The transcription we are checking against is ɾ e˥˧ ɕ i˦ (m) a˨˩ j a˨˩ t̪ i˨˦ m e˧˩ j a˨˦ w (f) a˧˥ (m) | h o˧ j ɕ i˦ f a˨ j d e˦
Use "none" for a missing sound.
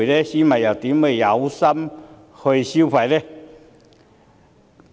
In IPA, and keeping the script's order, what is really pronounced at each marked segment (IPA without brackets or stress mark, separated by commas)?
m, s, m